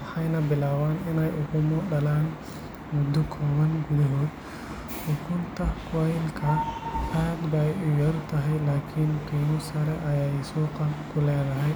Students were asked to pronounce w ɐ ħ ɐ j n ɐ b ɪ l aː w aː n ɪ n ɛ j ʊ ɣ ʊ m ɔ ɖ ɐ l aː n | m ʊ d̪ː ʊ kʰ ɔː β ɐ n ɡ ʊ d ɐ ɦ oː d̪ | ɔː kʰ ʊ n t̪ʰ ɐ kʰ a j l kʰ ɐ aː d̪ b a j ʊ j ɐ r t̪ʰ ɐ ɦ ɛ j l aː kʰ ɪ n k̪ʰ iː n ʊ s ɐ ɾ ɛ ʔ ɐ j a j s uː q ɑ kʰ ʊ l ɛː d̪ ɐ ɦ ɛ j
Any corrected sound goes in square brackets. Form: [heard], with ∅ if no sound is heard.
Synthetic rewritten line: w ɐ ħ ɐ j n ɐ b ɪ l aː w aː n ɪ n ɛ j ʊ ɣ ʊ m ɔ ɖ ɐ l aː n | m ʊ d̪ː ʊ kʰ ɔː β ɐ n ɡ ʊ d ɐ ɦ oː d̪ | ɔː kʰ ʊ n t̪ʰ ɐ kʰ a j l kʰ ɐ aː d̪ b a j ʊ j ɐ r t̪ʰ ɐ ɦ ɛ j l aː kʰ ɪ n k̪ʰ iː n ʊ s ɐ ɾ ɛ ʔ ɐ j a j s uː q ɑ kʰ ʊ l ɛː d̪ ɐ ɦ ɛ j

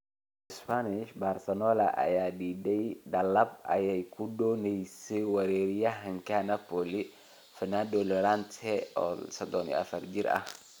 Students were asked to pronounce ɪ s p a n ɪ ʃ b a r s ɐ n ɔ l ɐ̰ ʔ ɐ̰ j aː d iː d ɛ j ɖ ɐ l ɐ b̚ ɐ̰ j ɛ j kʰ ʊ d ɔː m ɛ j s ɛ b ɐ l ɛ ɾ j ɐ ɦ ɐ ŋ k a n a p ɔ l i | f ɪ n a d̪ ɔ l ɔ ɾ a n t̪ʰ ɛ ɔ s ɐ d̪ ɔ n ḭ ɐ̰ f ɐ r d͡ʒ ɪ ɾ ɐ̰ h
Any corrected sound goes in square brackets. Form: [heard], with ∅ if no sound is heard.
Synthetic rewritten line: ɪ s p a n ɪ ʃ b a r s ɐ n ɔ l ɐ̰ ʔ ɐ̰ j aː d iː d ɛ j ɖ ɐ l ɐ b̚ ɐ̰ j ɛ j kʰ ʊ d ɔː [n] ɛ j s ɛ [w] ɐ [ɾ] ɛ ɾ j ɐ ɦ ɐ ŋ k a n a p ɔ l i | f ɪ n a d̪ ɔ l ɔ ɾ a n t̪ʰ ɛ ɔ s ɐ d̪ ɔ n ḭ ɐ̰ f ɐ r d͡ʒ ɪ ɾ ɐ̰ h

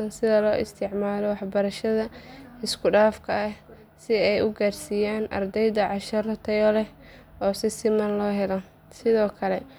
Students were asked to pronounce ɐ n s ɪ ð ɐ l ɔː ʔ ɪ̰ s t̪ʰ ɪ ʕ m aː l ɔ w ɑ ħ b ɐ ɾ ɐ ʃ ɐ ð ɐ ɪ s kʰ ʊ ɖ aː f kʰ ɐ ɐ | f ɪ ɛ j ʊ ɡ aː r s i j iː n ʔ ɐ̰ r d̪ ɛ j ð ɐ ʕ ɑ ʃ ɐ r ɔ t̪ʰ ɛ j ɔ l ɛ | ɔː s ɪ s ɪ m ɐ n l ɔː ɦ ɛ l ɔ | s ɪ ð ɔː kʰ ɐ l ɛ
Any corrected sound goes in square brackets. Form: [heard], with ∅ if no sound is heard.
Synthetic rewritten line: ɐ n s ɪ ð ɐ l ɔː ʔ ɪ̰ s t̪ʰ ɪ ʕ m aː l ɔ w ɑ ħ b ɐ ɾ ɐ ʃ ɐ ð ɐ ɪ s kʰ ʊ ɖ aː f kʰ ɐ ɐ | [s] ɪ ɛ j ʊ ɡ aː r s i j [aː] n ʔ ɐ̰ r d̪ ɛ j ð ɐ ʕ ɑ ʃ ɐ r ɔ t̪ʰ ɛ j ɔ l ɛ | ɔː s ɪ s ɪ m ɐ n l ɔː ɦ ɛ l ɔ | s ɪ ð ɔː kʰ ɐ l ɛ

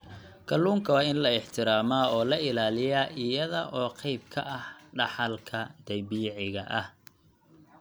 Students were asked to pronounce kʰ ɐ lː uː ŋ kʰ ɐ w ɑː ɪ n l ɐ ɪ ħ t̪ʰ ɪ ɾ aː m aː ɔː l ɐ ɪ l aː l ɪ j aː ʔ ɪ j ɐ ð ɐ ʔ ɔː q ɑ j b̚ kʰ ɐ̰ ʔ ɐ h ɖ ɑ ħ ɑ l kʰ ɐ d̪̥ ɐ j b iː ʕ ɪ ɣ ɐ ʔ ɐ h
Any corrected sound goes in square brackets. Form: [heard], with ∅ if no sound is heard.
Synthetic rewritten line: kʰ ɐ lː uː ŋ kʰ ɐ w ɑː ɪ n l ɐ ɪ ħ t̪ʰ ɪ ɾ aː m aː ɔː l ɐ ɪ l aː l ɪ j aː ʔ ɪ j ɐ ð ɐ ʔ ɔː q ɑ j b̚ kʰ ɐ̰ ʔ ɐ h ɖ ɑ ħ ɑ l kʰ ɐ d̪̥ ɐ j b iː ʕ ɪ ɣ ɐ ʔ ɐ h

